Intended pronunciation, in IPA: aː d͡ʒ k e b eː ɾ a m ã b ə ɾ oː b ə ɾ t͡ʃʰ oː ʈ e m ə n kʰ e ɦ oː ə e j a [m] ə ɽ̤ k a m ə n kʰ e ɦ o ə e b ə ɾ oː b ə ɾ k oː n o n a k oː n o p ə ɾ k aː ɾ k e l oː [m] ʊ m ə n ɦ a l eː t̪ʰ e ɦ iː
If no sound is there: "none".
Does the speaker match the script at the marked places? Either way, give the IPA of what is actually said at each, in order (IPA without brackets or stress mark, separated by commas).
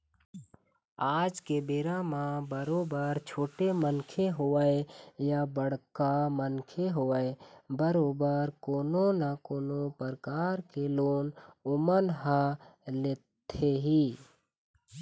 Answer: b, n